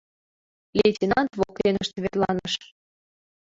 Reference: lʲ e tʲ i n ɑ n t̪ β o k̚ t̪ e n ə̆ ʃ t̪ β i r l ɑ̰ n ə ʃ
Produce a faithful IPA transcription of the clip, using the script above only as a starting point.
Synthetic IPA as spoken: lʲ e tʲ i n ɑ n t̪ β o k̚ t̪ e n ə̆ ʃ t̪ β e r l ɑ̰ n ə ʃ

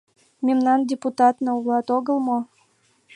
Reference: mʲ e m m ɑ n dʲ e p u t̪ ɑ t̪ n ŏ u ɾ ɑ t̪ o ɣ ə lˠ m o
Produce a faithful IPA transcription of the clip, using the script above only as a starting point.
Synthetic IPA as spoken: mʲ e m n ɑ n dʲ e p u t̪ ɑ t̪ n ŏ u l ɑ t̪ o ɣ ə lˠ m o

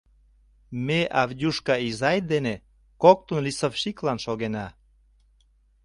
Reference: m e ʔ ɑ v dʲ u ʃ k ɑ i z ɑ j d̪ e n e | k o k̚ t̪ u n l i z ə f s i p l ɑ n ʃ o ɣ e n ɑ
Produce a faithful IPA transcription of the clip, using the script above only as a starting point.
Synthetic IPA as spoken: m e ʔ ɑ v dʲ u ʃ k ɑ i z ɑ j d̪ e n e | k o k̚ t̪ u n l i s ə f ʃ i k l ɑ n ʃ o ɣ e n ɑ

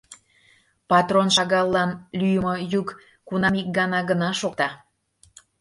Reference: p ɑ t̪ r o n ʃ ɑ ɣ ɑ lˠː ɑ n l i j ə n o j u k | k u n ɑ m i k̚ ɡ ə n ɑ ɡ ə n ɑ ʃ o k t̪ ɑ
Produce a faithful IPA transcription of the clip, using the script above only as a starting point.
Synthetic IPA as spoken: p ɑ t̪ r o n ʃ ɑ ɣ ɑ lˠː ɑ n l y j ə m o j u k | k u n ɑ m i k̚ ɡ ɑ n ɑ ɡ ə n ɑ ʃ o k t̪ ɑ

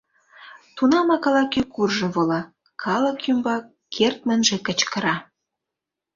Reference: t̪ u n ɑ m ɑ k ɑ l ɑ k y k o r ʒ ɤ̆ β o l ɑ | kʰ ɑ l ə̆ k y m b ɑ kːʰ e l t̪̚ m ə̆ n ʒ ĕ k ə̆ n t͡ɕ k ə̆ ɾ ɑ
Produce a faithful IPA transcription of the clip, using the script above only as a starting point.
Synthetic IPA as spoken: t̪ u n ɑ m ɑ k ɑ l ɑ k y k u r ʒ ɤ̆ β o l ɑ | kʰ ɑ l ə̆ k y m b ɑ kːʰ e r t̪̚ m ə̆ n ʒ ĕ k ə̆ t͡ɕ k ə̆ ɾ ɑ

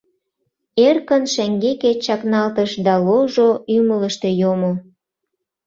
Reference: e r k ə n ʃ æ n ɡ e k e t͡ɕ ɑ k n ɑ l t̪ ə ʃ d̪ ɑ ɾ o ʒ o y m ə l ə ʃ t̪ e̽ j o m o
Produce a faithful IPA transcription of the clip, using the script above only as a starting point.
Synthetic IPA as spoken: e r k ə n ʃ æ ŋ ɡ e k e t͡ɕ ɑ k n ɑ l t̪ ə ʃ d̪ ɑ l o ʒ o y m ə l ə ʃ t̪ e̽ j o m o

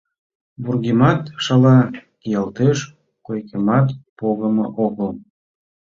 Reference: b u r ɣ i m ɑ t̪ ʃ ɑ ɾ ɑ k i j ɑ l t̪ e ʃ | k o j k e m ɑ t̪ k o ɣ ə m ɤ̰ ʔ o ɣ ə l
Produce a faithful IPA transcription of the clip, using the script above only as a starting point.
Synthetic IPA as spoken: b u r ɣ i m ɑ t̪ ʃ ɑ l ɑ k i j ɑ l t̪ e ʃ | k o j k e m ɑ t̪ p o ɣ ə m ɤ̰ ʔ o ɣ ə l

